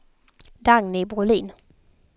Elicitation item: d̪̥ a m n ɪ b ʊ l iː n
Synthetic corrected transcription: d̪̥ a ŋ n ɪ b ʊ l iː n